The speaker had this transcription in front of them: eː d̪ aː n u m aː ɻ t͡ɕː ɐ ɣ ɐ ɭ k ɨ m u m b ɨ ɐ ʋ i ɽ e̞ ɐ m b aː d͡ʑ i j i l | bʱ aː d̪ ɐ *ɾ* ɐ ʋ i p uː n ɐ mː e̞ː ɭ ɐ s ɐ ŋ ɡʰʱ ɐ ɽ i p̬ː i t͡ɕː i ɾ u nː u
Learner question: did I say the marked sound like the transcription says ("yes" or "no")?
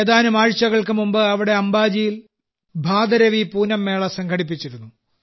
yes